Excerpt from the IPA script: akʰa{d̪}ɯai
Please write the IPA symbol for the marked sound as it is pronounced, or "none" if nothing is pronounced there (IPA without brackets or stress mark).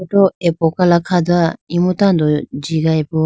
d̪